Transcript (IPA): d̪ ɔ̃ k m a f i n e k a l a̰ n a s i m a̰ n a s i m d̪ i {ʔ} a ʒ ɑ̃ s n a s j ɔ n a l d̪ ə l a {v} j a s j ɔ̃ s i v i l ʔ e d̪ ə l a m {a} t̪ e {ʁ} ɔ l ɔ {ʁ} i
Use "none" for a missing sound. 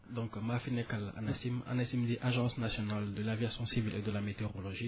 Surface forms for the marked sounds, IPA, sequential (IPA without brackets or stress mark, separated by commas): ʔ, v, e, ʁ, ʒ